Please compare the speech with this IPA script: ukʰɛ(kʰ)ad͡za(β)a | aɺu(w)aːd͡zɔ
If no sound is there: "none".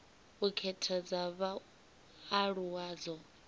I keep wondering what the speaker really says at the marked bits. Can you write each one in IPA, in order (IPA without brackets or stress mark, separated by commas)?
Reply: tʰ, β, w